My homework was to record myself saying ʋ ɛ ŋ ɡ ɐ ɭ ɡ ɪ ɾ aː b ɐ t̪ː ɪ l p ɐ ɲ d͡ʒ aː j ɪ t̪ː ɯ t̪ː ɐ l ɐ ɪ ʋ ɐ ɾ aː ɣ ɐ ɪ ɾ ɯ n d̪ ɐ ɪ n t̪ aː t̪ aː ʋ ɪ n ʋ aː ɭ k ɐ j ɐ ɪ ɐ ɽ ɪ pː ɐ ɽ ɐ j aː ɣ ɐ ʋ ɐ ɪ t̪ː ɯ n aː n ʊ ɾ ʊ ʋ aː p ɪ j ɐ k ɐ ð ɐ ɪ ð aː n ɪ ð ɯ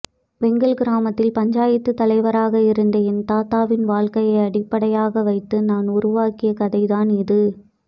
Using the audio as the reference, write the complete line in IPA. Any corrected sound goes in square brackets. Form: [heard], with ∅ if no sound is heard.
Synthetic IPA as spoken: ʋ ɛ ŋ ɡ ɐ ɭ ɡ ɪ ɾ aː [m] ɐ t̪ː ɪ l p ɐ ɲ d͡ʒ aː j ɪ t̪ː ɯ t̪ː ɐ l ɐ ɪ ʋ ɐ ɾ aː ɣ ɐ ɪ ɾ ɯ n d̪ ɐ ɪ n t̪ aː t̪ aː ʋ ɪ n ʋ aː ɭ k ɐ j ɐ ɪ ɐ ɽ ɪ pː ɐ ɽ ɐ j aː ɣ ɐ ʋ ɐ ɪ t̪ː ɯ n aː n ʊ ɾ ʊ ʋ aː [k] ɪ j ɐ k ɐ ð ɐ ɪ ð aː n ɪ ð ɯ